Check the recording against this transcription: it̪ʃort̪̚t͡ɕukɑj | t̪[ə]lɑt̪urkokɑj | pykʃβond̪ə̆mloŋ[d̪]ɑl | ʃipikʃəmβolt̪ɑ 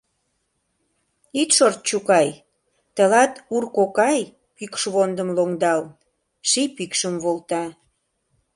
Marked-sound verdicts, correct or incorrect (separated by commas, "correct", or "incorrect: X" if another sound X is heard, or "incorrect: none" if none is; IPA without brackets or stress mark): correct, correct